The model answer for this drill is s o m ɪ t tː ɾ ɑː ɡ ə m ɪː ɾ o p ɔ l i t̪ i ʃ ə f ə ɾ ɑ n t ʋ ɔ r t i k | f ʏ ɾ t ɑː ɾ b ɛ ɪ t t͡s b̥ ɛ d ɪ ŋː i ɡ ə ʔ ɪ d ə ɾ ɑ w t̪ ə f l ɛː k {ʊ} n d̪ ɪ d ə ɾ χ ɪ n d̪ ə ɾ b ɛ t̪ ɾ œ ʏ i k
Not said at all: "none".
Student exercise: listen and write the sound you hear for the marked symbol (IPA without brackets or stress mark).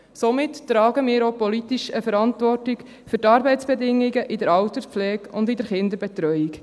ʊ